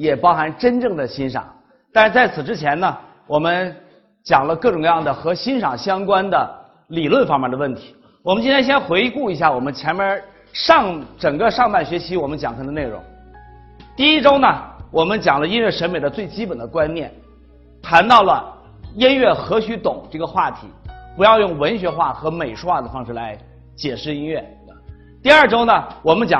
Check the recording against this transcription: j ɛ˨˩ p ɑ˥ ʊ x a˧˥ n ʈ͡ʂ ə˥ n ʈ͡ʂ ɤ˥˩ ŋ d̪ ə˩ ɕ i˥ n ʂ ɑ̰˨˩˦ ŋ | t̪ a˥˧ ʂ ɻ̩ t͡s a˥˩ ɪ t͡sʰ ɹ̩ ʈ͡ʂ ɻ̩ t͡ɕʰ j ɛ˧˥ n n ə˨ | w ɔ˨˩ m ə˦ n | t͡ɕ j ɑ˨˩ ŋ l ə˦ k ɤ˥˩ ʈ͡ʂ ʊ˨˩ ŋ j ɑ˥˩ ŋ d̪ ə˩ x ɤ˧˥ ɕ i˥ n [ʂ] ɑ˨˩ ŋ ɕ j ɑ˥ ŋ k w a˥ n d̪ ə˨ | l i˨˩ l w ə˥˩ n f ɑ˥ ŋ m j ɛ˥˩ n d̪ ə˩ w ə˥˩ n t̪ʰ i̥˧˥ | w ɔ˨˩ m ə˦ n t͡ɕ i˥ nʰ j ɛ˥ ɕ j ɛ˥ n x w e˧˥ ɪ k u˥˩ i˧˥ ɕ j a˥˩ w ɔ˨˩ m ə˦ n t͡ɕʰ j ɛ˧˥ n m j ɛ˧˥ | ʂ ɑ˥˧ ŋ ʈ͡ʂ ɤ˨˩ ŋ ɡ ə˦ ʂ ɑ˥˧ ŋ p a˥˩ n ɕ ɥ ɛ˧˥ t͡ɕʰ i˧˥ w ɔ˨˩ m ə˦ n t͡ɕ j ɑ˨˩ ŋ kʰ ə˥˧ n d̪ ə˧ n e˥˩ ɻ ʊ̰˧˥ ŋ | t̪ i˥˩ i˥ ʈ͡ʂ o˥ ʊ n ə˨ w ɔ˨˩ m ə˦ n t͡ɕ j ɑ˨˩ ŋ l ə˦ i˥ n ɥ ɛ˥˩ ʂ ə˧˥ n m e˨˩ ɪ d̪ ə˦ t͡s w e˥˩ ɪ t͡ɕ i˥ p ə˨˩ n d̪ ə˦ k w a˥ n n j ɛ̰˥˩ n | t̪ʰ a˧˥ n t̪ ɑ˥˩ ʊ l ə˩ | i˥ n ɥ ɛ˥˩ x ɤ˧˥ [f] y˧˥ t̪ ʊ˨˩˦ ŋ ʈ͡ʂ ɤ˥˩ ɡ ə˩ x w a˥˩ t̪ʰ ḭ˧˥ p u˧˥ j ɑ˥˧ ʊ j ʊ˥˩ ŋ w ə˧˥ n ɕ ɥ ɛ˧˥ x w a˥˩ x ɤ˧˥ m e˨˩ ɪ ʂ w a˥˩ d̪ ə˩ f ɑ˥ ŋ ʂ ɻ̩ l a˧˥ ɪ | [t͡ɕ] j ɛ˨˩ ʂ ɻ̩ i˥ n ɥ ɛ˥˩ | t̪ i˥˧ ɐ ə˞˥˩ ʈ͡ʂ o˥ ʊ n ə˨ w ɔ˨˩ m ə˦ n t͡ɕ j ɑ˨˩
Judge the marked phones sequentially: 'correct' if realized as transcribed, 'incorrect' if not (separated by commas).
correct, incorrect, correct